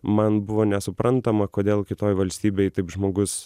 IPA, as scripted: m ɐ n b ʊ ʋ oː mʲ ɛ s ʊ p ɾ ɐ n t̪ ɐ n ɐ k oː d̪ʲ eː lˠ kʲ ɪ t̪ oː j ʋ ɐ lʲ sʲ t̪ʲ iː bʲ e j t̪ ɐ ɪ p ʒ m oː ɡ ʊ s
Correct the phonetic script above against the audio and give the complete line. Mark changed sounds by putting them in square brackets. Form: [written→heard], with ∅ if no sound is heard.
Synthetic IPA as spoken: m ɐ n b ʊ ʋ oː [mʲ→nʲ] ɛ s ʊ p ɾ ɐ n t̪ ɐ [n→m] ɐ k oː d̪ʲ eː lˠ kʲ ɪ t̪ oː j ʋ ɐ lʲ sʲ t̪ʲ iː bʲ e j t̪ ɐ ɪ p ʒ m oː ɡ ʊ s